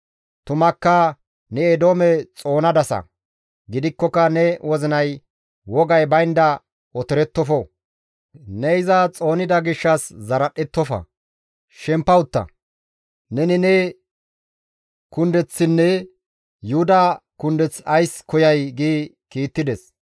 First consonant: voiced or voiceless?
voiceless